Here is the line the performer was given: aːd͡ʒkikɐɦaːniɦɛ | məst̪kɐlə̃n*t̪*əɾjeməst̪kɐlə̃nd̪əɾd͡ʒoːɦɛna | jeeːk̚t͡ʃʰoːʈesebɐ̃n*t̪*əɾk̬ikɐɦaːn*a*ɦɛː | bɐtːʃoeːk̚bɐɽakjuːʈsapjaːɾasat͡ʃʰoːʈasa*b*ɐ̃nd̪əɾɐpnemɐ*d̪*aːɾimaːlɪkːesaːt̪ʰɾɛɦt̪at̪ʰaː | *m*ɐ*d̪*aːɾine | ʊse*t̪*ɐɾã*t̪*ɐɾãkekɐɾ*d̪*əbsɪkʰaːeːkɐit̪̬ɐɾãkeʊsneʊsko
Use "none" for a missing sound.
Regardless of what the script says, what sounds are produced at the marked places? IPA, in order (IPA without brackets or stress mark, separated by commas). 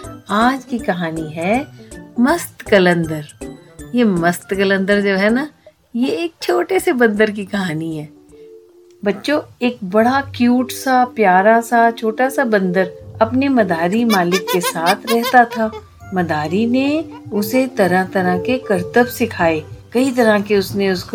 d̪, d̪, i, b, d̪, m, d̪, t̪, t̪, t̪